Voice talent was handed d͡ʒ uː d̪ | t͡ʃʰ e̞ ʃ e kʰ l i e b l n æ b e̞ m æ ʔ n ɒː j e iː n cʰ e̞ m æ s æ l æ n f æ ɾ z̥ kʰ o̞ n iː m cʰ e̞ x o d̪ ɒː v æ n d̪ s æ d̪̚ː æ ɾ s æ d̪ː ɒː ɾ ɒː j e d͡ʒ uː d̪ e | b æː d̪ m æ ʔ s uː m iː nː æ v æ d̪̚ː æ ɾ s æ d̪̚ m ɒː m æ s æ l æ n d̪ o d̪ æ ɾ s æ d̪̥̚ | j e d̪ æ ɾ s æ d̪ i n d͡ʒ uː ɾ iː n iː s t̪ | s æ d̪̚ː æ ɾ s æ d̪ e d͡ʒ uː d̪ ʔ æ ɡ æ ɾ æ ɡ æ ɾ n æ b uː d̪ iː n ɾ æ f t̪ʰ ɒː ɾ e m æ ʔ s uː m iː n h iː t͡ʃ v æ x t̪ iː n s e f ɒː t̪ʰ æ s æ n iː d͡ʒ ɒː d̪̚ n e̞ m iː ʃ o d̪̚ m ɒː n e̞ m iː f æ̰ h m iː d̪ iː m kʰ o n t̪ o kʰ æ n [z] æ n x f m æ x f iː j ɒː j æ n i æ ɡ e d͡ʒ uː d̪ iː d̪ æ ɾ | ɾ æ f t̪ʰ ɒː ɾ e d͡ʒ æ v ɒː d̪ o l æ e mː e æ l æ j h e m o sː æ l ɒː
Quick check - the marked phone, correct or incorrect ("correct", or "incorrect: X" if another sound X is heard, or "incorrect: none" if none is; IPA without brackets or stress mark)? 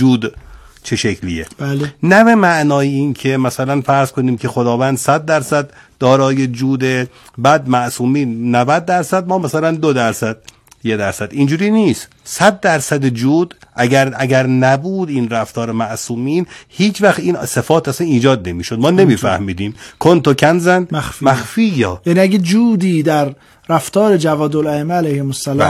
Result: correct